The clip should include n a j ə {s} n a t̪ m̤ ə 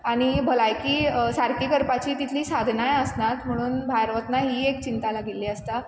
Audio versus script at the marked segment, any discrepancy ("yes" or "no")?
no